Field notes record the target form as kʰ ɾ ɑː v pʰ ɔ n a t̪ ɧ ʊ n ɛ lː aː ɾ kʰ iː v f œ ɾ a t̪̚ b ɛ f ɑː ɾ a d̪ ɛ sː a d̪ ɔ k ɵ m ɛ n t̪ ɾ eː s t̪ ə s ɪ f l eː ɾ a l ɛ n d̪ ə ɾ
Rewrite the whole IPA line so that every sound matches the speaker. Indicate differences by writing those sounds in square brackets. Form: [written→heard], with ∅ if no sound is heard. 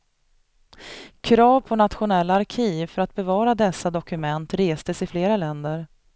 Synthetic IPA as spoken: kʰ ɾ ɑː v pʰ ɔ n a t̪ ɧ ʊ n ɛ lː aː ɾ kʰ iː v f œ ɾ a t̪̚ b ɛ [f→v] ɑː ɾ a d̪ ɛ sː a d̪ ɔ k ɵ m ɛ n t̪ ɾ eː s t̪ ə s ɪ f l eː ɾ a l ɛ n d̪ ə ɾ